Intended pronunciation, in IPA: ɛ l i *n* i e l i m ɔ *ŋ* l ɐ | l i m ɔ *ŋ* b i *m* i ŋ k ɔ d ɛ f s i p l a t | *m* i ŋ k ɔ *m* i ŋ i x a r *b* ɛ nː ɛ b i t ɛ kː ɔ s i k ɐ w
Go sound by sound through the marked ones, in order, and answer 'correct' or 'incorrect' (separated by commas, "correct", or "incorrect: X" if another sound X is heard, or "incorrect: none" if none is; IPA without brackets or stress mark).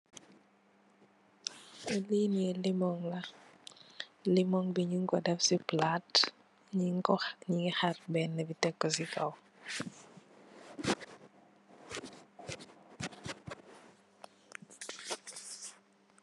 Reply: correct, correct, correct, incorrect: ɲ, incorrect: ɲ, incorrect: ɲ, correct